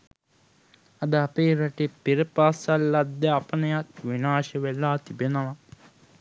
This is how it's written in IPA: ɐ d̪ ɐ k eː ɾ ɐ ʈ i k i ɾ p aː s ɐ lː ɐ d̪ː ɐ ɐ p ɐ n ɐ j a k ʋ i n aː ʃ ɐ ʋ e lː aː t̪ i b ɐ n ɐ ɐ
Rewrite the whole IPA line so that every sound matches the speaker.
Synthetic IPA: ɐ d̪ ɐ p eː ɾ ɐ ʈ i p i ɾ p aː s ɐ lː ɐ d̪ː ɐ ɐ p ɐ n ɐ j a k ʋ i n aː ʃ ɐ ʋ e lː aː t̪ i b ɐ n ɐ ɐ